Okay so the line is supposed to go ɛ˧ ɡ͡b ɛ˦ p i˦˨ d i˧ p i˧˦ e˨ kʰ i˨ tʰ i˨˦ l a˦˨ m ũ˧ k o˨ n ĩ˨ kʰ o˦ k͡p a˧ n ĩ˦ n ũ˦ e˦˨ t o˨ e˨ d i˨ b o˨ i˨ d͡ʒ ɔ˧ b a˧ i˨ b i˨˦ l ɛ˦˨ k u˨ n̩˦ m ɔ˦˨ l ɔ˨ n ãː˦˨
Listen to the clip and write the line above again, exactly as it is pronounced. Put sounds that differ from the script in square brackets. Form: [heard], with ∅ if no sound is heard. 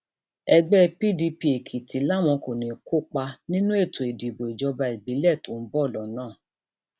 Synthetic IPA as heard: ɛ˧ ɡ͡b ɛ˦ p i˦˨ d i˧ p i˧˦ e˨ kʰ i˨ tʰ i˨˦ l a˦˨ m [ɔ̃˧] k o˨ n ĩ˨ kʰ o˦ k͡p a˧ n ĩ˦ n ũ˦ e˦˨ t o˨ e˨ d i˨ b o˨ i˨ d͡ʒ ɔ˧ b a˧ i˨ b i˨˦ l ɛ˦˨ [t] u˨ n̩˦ [b] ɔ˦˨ l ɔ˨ n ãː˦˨